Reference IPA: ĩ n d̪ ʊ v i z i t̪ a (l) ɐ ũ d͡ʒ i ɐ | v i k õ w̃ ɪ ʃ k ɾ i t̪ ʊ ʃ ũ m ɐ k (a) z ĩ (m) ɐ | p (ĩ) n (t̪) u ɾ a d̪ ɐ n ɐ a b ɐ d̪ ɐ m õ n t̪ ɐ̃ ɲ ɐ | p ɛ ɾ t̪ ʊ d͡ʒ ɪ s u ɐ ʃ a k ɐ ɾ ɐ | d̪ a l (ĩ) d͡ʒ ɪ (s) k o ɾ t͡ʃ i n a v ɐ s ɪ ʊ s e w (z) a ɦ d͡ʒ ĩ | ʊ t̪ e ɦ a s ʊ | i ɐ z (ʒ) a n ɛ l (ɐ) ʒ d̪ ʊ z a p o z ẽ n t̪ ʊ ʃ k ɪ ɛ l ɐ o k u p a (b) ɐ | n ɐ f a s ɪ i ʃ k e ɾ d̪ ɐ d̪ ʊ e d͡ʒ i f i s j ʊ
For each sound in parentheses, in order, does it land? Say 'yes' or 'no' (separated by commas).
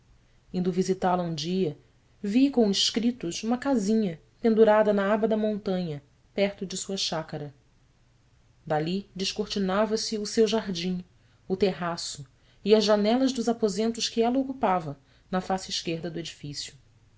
yes, yes, no, no, no, no, no, no, yes, yes, no